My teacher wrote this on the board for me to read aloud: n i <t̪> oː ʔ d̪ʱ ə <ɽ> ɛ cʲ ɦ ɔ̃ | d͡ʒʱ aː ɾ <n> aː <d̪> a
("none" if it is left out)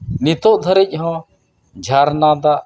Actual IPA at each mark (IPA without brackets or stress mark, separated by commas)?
t̪, ɾ, n, d̪